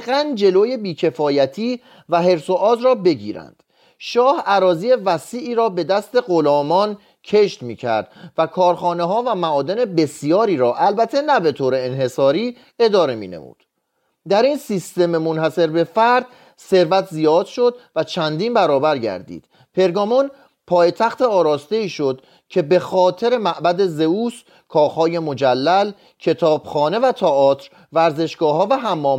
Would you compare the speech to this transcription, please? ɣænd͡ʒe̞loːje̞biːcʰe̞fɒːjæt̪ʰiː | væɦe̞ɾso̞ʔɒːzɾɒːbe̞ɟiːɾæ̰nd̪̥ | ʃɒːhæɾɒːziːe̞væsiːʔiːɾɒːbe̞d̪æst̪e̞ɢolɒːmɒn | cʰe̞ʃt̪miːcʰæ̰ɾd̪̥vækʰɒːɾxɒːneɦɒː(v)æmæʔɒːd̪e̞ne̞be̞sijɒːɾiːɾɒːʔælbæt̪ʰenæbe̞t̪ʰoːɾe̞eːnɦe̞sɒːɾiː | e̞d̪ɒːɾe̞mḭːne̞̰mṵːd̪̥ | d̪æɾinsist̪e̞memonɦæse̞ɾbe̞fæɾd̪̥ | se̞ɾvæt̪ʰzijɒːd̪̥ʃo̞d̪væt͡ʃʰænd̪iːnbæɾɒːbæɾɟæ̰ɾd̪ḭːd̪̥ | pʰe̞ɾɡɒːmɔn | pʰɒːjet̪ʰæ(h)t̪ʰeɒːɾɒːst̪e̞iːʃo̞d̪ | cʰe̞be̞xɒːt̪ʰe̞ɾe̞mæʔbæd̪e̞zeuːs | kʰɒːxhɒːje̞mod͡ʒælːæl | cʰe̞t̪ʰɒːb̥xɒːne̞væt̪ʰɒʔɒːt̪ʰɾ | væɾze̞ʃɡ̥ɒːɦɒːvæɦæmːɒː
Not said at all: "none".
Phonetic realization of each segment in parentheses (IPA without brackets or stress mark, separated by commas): v, x